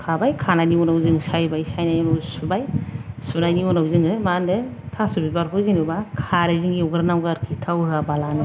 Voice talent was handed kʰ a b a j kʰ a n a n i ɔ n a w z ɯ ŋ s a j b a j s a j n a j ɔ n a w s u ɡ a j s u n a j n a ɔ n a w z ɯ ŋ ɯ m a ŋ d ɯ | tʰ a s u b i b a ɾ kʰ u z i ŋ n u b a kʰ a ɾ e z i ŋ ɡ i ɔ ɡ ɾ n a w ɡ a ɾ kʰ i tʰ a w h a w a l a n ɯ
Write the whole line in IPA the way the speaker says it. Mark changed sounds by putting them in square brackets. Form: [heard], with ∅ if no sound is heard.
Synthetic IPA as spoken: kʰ a b a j kʰ a n a n i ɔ n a w z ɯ ŋ s a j b a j s a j n a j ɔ n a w s u [b] a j s u n a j n [i] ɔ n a w z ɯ ŋ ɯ m a [n] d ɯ | tʰ a s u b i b a ɾ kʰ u z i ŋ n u b a kʰ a ɾ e z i ŋ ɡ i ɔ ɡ ɾ n a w ɡ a ɾ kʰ i tʰ a w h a [b] a l a n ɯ